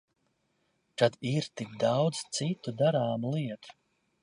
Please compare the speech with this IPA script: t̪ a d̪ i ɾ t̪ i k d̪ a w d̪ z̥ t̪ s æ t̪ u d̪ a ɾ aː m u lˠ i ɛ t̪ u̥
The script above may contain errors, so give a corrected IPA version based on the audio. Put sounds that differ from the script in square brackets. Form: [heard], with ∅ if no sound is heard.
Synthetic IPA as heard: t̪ a d̪ i ɾ t̪ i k d̪ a w d̪ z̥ t̪ s [i] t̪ u d̪ a ɾ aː m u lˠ i ɛ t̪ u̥